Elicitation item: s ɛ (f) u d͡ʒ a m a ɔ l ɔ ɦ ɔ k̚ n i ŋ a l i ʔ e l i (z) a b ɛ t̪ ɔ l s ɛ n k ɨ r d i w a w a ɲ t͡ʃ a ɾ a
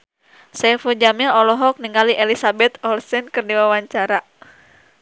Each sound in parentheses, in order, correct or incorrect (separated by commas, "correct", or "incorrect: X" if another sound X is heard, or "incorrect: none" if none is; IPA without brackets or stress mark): correct, incorrect: s